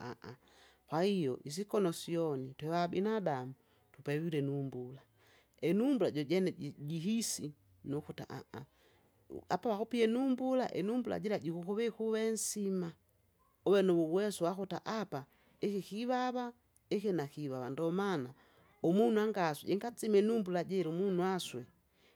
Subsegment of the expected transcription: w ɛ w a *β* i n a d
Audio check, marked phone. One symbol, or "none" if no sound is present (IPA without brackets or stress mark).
b